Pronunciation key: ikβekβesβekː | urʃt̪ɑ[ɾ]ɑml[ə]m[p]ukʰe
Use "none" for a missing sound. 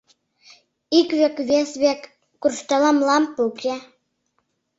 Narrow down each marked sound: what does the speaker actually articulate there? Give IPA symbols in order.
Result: l, ɑ, p

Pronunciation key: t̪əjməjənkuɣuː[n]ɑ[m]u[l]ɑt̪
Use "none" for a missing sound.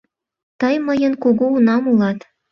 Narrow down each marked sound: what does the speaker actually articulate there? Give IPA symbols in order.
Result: n, m, l

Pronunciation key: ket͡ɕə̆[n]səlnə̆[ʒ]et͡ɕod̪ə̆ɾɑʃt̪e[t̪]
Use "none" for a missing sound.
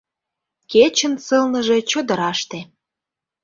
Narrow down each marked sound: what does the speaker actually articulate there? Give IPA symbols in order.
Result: n, ʒ, none

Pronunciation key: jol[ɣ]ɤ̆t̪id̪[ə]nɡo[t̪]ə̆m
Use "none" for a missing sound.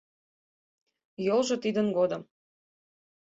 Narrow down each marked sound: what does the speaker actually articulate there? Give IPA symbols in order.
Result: ʒ, ə, d̪

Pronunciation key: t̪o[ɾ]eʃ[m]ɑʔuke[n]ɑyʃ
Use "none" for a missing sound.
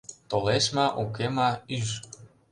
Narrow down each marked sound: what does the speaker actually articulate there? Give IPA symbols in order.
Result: l, m, m

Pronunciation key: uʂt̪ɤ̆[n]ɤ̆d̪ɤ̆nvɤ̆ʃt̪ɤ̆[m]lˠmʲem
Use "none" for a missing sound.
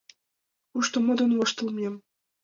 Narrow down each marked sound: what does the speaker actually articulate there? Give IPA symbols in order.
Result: m, none

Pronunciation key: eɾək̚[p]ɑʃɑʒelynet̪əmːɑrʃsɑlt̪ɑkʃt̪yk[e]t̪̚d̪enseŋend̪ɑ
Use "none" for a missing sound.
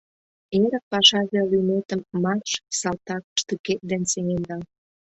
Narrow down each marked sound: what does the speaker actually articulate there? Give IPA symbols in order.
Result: p, e

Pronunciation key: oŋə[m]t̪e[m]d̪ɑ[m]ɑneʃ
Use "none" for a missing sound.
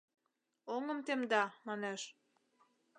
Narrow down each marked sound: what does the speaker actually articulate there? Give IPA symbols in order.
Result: m, m, m

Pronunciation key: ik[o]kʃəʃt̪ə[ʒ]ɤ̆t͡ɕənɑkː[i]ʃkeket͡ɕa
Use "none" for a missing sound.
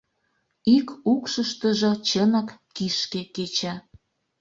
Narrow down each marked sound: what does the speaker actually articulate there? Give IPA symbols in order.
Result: u, ʒ, i

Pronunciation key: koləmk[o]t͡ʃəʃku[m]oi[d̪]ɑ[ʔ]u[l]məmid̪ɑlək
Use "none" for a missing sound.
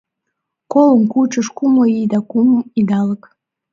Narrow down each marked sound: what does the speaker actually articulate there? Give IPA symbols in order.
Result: u, m, d̪, k, none

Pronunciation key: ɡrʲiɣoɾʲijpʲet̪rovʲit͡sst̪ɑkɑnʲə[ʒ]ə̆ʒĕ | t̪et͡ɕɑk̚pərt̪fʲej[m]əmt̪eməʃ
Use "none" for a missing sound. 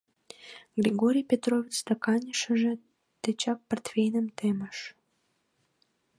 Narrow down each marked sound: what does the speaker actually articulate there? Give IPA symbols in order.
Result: ʃ, n

